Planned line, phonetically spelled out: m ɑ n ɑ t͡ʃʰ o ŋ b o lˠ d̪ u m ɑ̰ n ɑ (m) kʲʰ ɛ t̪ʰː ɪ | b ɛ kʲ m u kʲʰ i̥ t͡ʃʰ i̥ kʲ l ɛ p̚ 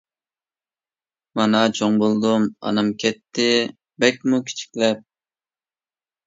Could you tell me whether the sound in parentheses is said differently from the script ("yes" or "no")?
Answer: no